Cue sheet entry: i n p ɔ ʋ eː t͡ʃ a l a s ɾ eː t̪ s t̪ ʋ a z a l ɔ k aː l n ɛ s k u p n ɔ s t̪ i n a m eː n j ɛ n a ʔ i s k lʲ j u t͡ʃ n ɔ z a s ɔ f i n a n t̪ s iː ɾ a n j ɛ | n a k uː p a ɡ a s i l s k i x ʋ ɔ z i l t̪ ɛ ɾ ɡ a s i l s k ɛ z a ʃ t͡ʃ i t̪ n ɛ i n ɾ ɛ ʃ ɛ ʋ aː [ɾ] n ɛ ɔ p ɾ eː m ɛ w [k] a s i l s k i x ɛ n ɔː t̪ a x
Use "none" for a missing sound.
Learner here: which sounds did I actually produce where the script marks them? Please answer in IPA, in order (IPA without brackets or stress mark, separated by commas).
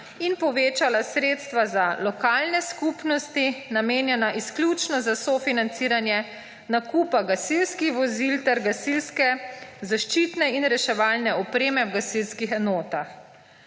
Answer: l, ɡ